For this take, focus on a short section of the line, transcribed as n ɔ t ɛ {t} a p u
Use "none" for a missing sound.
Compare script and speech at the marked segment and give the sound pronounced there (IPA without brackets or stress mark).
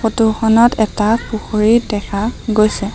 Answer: t